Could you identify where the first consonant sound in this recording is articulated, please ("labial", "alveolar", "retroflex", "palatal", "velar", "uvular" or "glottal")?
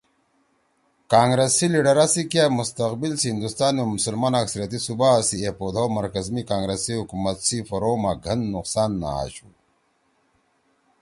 velar